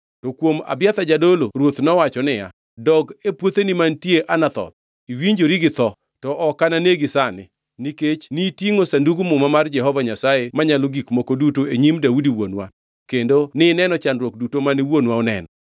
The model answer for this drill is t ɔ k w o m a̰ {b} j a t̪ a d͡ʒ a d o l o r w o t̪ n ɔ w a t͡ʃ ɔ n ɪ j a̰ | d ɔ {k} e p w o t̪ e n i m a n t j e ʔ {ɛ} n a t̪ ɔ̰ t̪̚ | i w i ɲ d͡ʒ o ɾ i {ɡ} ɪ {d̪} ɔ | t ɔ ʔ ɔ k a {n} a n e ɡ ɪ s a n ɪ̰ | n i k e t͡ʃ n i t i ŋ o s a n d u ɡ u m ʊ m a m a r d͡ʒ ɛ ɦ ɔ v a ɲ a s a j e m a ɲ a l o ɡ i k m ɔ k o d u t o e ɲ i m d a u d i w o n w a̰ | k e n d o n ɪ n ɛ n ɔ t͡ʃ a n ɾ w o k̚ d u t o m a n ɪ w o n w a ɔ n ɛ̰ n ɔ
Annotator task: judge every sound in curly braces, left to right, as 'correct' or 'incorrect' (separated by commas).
correct, incorrect, incorrect, correct, incorrect, correct